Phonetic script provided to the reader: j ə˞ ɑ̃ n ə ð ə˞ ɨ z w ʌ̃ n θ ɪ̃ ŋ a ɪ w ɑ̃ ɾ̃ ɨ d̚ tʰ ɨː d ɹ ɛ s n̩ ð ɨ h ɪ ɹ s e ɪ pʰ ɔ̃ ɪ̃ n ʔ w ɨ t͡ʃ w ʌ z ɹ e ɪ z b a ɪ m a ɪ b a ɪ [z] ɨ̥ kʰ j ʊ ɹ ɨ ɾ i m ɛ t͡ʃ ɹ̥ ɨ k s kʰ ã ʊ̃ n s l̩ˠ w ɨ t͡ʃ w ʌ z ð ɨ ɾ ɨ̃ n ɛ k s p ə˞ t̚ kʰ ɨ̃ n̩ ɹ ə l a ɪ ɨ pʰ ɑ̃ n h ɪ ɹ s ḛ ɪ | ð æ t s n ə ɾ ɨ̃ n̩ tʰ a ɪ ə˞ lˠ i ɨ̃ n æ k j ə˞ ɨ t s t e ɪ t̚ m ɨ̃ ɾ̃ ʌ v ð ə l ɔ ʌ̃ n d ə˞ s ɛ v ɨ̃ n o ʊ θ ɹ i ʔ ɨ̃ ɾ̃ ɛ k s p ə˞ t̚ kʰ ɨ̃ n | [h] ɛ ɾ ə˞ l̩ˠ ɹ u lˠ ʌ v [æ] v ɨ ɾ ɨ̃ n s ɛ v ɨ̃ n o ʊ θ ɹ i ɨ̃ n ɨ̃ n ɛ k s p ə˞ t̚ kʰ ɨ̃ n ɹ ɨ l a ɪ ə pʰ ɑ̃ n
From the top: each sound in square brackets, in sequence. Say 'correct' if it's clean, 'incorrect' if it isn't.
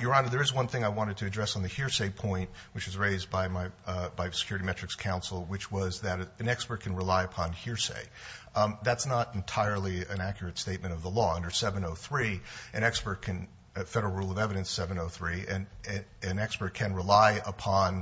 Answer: incorrect: s, incorrect: f, incorrect: ɛ

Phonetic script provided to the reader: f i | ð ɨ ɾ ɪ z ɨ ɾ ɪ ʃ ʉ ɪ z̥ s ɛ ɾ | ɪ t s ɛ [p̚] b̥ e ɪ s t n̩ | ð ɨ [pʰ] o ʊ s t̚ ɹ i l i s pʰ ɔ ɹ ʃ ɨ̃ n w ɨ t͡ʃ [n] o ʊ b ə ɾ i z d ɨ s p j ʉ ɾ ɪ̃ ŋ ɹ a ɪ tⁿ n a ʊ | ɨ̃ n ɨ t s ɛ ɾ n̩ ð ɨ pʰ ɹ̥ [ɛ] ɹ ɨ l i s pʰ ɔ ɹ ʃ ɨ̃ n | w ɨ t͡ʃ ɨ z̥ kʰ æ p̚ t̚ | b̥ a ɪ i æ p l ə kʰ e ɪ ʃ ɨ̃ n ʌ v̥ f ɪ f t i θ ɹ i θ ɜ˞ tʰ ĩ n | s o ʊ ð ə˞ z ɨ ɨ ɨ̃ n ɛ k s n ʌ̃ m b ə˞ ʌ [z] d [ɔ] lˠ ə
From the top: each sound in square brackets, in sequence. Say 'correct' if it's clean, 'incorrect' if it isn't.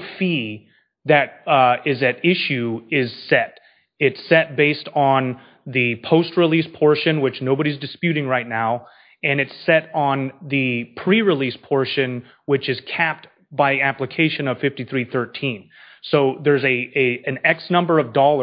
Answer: incorrect: t̚, correct, correct, incorrect: i, incorrect: v, correct

